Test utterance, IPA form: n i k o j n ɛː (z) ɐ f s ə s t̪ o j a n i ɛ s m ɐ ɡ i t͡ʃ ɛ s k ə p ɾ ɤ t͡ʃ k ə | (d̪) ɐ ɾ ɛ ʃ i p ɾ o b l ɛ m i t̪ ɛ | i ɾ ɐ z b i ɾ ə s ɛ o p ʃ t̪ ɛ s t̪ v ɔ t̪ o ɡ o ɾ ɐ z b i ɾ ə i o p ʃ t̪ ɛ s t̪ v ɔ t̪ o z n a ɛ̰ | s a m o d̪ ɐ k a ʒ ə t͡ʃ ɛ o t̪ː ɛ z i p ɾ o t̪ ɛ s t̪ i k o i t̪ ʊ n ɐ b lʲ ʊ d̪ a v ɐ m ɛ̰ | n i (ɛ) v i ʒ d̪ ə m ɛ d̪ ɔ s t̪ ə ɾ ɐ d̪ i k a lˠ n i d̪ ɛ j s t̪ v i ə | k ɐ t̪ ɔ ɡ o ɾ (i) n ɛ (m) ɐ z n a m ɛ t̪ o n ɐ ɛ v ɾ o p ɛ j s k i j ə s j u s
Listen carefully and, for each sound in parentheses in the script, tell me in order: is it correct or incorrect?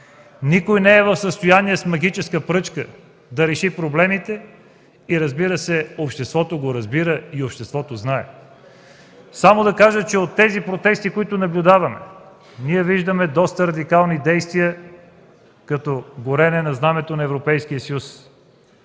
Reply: incorrect, correct, correct, incorrect, incorrect

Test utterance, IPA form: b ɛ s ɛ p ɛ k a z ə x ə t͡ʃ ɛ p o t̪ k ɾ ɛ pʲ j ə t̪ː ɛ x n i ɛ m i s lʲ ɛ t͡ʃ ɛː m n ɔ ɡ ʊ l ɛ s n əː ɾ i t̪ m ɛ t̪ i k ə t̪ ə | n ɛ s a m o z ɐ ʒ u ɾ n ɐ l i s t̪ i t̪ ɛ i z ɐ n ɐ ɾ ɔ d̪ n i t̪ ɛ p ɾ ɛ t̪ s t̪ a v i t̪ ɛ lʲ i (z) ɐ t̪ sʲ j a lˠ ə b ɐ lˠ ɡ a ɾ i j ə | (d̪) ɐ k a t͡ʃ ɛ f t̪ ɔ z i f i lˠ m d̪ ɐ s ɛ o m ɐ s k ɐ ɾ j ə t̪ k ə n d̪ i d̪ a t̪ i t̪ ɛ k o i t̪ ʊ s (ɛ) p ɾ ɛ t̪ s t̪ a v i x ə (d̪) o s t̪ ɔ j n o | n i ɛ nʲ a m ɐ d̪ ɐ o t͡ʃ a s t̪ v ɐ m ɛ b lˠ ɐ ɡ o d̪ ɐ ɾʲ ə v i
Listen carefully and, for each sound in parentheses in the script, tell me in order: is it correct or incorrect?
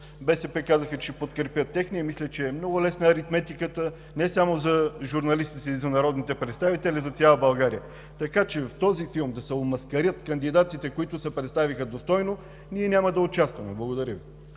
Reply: correct, incorrect, correct, correct

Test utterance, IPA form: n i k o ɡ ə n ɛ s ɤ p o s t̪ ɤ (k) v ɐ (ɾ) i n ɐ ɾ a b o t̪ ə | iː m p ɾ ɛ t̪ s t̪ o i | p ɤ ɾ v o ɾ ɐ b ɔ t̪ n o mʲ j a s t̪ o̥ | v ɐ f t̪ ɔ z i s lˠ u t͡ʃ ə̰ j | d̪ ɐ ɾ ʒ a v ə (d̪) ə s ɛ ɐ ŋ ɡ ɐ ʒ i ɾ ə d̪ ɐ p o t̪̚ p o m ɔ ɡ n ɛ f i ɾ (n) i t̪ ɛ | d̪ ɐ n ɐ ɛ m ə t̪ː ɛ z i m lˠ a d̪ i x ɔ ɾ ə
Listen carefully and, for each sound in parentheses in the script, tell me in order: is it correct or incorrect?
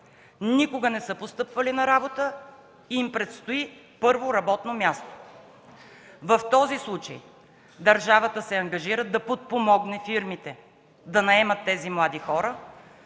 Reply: incorrect, incorrect, incorrect, incorrect

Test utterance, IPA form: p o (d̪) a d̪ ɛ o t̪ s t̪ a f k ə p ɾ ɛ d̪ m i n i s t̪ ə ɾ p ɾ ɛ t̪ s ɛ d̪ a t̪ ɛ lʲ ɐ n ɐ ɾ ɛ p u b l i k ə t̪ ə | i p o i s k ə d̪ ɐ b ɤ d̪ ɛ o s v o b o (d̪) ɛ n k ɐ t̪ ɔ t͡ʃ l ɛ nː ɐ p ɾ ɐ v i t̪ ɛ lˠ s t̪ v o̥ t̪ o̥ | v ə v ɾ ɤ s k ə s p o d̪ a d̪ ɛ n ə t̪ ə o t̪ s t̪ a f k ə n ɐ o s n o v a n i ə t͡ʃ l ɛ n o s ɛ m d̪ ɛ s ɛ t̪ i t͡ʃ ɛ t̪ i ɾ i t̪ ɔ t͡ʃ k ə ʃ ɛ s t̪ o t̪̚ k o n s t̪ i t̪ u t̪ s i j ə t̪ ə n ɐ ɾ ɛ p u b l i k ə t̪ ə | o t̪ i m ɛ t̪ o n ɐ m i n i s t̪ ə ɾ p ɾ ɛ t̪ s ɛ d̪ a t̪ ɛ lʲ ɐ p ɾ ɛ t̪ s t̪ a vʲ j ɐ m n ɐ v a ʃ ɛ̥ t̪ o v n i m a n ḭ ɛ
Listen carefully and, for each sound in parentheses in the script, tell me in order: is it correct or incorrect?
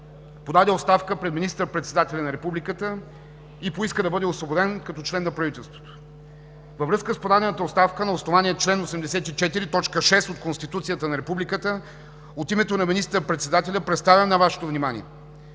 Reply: correct, correct

